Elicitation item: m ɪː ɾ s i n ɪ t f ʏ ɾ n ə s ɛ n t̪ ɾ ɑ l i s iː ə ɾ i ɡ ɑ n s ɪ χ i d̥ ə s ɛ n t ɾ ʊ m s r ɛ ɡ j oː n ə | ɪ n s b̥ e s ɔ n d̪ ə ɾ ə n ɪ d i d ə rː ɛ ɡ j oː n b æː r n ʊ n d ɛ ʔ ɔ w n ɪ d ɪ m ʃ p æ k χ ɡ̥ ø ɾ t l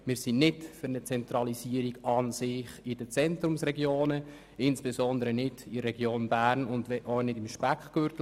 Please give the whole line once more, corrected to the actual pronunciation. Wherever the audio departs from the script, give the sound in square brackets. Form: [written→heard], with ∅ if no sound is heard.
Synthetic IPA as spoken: m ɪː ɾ s i n ɪ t f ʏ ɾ n ə [s→t͡s] ɛ n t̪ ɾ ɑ l i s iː ə ɾ i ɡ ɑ n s ɪ χ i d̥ ə [s→t͡s] ɛ n t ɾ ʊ m s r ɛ ɡ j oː n ə | ɪ n s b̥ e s ɔ n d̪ ə ɾ ə n ɪ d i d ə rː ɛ ɡ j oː n b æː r n ʊ n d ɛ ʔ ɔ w n ɪ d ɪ m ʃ p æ k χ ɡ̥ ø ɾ t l